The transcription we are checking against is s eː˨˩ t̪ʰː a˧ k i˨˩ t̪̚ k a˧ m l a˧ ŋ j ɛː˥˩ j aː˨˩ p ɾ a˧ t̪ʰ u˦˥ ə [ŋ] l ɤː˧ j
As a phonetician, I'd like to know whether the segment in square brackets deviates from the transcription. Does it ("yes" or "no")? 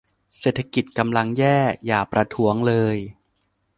no